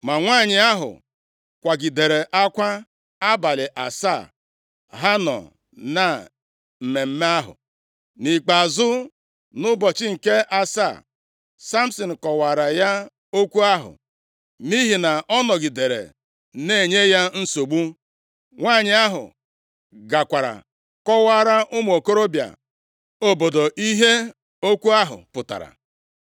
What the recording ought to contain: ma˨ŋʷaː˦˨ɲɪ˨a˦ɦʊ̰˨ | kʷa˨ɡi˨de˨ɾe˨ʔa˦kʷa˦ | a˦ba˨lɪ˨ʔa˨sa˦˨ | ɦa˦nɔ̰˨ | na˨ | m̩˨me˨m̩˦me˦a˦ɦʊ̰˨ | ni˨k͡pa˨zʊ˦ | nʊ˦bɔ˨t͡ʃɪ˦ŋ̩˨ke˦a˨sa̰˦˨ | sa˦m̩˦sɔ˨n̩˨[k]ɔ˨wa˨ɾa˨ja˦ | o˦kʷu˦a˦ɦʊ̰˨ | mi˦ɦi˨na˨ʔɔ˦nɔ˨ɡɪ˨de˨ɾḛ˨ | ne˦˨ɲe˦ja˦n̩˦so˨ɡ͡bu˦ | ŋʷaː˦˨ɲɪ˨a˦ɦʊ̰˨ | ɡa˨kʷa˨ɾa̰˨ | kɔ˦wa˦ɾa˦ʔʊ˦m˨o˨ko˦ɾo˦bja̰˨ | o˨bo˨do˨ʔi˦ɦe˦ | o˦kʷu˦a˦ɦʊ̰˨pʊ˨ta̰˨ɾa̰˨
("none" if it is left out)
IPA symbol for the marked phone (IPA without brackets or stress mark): k